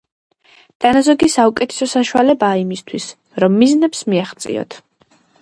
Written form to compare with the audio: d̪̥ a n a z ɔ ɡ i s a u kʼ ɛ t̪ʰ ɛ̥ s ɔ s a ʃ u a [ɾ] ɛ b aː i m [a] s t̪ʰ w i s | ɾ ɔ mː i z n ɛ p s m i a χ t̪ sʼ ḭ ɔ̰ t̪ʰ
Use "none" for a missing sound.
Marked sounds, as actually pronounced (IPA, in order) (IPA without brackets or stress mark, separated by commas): l, i